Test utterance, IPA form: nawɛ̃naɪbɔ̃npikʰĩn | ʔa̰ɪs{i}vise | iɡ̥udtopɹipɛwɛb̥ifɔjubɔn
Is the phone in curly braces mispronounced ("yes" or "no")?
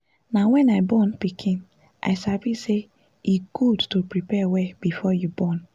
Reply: yes